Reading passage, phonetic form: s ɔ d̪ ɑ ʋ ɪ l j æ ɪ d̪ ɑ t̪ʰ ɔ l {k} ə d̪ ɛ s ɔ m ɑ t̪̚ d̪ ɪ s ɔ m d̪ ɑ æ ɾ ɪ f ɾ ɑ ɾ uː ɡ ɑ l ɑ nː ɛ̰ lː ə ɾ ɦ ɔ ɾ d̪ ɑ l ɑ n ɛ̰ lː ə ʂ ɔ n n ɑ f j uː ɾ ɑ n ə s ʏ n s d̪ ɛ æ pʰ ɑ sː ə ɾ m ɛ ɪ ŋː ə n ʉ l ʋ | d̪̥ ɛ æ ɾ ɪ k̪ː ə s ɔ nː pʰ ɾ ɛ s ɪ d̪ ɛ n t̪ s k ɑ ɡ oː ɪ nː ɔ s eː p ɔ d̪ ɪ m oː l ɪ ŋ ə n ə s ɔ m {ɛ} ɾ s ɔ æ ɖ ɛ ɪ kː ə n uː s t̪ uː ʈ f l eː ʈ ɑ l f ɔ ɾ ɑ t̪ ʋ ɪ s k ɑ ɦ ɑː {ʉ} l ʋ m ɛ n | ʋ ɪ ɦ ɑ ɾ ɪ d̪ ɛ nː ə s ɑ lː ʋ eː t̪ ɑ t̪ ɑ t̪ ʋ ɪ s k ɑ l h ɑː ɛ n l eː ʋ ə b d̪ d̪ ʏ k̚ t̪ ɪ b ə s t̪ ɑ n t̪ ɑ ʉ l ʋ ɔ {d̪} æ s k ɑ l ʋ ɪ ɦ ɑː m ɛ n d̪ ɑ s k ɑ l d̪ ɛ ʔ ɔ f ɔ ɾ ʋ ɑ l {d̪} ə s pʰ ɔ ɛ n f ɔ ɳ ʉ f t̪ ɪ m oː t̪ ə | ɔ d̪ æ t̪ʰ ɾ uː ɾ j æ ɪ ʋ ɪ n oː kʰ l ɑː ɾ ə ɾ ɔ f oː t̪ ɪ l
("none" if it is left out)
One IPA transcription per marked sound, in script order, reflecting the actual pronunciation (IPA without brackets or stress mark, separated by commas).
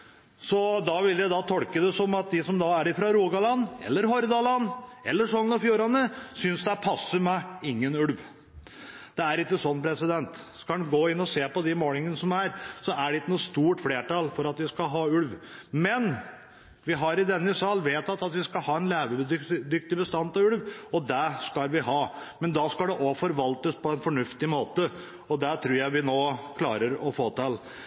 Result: k, æ, ʉ, d̪, t̪